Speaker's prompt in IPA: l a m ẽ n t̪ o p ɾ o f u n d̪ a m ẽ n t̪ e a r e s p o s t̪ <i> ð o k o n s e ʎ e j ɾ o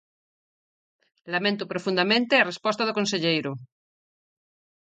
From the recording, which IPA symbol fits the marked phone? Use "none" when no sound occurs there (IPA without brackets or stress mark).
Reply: a